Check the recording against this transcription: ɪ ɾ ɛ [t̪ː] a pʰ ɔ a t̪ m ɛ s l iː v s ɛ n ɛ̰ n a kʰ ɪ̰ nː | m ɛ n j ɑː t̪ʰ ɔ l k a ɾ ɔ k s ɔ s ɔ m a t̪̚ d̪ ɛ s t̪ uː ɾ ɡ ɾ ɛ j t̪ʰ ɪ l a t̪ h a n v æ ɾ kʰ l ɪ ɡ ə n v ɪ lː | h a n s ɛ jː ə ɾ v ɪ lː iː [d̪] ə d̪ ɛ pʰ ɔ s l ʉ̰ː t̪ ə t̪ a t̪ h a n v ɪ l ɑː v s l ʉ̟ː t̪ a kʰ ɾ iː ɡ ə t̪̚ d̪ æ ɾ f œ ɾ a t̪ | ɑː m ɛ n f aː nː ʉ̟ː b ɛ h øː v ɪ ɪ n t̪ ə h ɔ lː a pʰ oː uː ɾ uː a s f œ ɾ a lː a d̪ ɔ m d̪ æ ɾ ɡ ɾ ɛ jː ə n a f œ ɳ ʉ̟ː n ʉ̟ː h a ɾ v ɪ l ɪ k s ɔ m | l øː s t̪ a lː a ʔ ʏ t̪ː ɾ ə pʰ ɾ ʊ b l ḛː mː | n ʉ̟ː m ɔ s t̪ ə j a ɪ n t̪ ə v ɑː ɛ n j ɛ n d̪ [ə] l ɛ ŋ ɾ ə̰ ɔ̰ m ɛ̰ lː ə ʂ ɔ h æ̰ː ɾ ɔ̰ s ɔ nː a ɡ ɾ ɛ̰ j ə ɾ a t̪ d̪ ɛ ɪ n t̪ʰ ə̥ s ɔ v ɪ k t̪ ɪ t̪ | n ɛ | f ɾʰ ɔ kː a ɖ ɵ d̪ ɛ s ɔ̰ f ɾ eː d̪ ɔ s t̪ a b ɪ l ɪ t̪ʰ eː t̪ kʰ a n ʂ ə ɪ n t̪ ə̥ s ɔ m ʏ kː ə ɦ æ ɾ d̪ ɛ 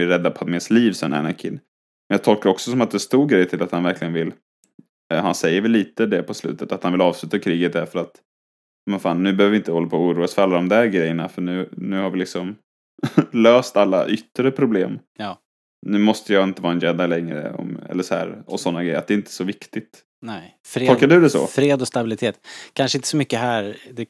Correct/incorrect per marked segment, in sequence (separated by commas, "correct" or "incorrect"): incorrect, incorrect, incorrect